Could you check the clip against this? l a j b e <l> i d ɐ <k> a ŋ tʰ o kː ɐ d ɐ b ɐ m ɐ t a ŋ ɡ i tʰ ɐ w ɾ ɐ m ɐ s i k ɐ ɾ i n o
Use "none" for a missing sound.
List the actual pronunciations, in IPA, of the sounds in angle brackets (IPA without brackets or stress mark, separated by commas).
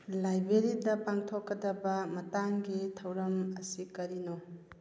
ɾ, p